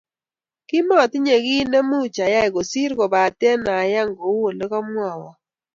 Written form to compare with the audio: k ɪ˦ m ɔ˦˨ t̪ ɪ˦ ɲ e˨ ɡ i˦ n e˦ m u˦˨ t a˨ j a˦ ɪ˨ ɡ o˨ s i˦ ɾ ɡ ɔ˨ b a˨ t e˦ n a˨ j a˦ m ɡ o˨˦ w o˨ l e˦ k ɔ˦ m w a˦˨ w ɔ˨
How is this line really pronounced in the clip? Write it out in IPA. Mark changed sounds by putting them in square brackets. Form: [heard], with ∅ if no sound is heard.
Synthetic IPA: k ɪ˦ m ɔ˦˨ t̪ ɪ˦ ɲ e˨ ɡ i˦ n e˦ m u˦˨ [t͡ʃ] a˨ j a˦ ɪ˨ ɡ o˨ s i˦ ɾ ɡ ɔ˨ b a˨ t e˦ n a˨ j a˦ [ŋ] ɡ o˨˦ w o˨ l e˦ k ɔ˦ m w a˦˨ w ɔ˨